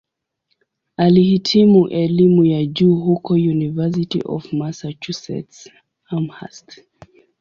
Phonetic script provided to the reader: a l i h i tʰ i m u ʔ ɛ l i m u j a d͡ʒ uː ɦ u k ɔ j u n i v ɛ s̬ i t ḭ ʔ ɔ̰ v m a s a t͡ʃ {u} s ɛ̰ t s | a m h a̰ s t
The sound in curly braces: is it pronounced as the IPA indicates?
yes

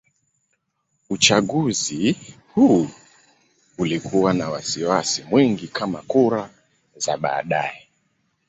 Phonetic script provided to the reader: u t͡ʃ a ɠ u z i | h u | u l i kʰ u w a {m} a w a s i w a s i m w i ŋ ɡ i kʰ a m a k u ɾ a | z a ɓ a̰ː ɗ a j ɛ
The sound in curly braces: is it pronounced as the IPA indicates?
no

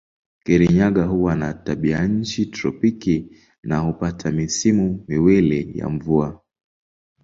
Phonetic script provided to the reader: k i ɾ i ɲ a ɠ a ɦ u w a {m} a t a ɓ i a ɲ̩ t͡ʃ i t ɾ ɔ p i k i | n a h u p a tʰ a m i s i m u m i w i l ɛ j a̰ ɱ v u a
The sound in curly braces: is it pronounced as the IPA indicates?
no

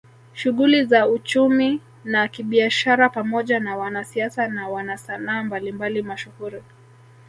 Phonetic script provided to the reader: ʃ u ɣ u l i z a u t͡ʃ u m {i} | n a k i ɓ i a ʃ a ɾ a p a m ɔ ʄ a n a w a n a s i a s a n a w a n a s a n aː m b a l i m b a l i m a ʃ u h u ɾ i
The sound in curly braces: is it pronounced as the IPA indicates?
yes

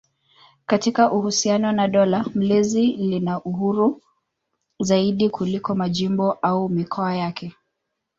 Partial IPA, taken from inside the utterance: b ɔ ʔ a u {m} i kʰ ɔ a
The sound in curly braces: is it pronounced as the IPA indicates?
yes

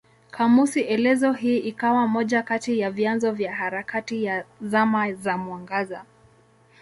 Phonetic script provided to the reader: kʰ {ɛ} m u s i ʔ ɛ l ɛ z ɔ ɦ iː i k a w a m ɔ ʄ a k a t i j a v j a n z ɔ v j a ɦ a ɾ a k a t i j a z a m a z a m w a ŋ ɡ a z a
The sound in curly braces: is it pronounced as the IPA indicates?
no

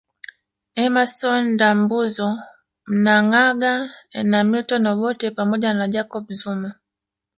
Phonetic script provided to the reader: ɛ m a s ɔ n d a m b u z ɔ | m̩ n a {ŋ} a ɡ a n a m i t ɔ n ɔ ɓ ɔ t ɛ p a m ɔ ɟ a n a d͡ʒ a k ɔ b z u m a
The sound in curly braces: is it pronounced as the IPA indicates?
yes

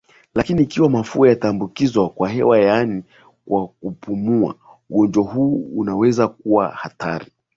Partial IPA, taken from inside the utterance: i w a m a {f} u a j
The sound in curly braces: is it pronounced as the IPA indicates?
yes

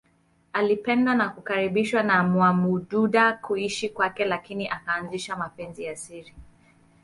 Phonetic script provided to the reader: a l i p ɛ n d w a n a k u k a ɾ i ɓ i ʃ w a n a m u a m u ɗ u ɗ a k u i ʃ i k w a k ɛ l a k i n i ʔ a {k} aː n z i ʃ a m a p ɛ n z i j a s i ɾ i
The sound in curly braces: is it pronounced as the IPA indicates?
yes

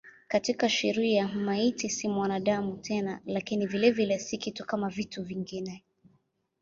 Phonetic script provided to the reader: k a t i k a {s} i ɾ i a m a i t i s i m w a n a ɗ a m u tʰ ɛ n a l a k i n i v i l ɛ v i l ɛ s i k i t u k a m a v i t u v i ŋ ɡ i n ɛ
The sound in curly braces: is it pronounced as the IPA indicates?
no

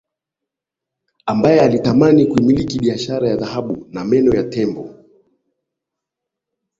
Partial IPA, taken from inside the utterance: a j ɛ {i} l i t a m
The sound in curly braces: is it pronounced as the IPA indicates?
no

